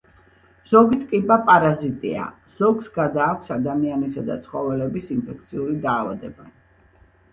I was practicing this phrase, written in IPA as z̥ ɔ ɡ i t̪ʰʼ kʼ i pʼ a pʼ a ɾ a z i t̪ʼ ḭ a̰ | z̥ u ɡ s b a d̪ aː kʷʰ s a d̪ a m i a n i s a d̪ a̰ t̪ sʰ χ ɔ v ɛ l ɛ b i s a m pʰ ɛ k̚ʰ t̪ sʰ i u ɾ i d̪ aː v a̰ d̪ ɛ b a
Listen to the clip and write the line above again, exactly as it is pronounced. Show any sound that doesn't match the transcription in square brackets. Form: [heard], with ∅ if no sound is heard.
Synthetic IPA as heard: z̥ ɔ ɡ i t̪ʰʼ kʼ i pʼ a pʼ a ɾ a z i t̪ʼ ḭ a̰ | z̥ [ɔ] ɡ s [ɡ] a d̪ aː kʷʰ s a d̪ a m i a n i s a d̪ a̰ t̪ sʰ χ ɔ v ɛ l ɛ b i s [i] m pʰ ɛ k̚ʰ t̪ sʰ i u ɾ i d̪ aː v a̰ d̪ ɛ b a